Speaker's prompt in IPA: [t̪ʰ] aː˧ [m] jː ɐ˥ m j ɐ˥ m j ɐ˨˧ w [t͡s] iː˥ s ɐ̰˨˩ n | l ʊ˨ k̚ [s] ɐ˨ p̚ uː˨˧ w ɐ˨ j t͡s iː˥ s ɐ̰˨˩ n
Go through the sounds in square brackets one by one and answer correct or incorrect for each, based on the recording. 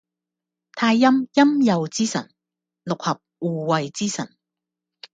correct, incorrect: none, correct, incorrect: h

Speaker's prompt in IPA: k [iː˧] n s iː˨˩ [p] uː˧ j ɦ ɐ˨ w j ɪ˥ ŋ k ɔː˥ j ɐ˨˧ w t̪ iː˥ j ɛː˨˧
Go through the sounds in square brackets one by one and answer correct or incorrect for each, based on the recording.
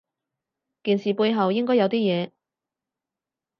incorrect: iː˨˩, correct

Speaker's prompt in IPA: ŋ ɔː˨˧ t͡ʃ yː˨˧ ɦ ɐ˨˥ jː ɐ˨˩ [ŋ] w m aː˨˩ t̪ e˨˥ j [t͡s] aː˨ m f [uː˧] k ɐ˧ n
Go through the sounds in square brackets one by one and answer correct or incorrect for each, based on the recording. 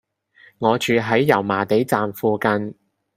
incorrect: none, correct, correct

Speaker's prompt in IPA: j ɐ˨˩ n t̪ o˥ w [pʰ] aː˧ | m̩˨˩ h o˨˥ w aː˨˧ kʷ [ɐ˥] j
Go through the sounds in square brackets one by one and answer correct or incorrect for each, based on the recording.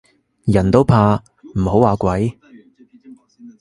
correct, incorrect: ɐ˨˥

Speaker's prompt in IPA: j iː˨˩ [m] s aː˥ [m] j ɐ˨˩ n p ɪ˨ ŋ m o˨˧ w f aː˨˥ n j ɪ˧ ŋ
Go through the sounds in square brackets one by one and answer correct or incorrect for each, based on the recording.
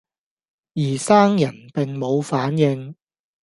incorrect: none, incorrect: ŋ

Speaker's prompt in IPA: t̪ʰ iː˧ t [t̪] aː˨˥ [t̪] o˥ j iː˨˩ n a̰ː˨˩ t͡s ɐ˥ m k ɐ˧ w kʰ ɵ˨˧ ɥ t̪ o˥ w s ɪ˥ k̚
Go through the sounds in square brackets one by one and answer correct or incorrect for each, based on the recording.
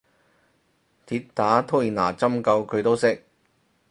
correct, incorrect: t̪ʰ

